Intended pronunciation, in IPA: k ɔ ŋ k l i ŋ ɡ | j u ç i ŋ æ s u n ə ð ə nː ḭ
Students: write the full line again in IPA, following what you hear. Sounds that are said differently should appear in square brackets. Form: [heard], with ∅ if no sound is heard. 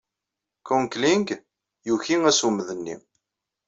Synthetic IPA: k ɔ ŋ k l i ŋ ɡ | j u ç i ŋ æ s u [m] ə ð ə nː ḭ